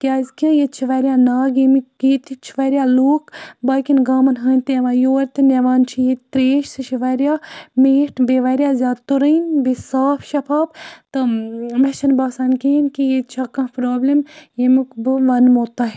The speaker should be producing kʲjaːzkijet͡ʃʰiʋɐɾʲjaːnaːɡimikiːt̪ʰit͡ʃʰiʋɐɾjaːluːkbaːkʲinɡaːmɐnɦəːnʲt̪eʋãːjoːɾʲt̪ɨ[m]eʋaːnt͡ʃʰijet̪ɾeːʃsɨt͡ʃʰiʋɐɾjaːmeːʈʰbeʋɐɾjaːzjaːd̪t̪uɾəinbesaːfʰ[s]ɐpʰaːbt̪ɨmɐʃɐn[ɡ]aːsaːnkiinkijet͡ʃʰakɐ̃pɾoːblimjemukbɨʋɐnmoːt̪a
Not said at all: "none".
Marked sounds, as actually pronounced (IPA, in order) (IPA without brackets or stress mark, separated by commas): n, ʃ, b